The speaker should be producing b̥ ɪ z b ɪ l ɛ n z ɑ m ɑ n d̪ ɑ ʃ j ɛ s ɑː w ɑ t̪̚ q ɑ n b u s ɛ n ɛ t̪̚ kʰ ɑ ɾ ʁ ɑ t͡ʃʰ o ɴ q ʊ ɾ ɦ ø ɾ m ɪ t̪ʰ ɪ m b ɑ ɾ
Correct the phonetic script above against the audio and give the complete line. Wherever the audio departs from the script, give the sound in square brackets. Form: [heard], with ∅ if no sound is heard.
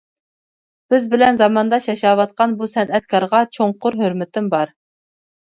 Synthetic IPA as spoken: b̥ ɪ z b ɪ l ɛ n z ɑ m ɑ n d̪ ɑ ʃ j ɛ [ʃ] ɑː w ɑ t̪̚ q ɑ n b u s ɛ n ɛ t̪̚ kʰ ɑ ɾ ʁ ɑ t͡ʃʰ o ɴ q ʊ ɾ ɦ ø ɾ m ɪ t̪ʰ ɪ m b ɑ ɾ